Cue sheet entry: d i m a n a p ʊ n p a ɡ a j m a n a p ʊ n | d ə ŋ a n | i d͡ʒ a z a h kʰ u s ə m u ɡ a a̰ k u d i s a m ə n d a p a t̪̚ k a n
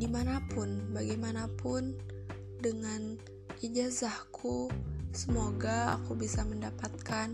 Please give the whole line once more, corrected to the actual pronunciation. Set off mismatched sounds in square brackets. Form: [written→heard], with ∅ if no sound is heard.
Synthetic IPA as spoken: d i m a n a p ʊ n [p→b] a ɡ a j m a n a p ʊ n | d ə ŋ a n | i d͡ʒ a z a h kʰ u s ə m [u→o] ɡ a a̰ k u [d→b] i s a m ə n d a p a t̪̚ k a n